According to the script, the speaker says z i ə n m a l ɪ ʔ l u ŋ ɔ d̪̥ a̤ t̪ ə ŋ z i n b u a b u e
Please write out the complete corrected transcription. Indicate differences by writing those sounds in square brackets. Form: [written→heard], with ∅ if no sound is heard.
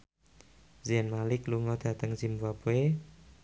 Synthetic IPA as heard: z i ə n m a l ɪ [ʔ→k] l u ŋ ɔ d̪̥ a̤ t̪ ə ŋ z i [n→m] b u a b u e